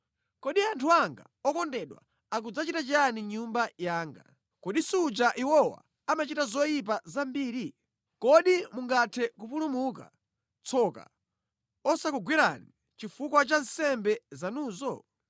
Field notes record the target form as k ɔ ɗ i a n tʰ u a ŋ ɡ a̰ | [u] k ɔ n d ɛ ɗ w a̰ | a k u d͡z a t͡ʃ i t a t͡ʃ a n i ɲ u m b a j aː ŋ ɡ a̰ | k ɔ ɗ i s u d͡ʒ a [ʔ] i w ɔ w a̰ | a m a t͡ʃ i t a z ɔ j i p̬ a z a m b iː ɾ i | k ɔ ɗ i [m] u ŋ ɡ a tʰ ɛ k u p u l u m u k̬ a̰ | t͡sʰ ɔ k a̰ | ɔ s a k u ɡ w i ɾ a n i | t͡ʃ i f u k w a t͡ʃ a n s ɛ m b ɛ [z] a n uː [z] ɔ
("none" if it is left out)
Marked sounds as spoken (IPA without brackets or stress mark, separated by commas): ɔ, ʔ, m, z, z